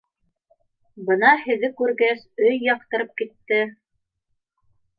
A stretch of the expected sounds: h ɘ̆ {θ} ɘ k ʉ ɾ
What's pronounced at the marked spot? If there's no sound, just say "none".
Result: ð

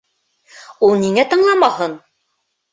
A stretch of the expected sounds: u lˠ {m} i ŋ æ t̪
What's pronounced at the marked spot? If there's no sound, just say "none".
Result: n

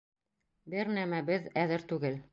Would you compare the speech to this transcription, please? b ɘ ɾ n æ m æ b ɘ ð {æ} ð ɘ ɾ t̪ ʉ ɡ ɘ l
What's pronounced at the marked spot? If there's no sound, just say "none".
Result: æ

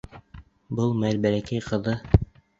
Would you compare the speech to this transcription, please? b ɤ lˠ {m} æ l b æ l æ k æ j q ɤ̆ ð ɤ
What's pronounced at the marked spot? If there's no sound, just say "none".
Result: m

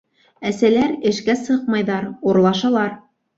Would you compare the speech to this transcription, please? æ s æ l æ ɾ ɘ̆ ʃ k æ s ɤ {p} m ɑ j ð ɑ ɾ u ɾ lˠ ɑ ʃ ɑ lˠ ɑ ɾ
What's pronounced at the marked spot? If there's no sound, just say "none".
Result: q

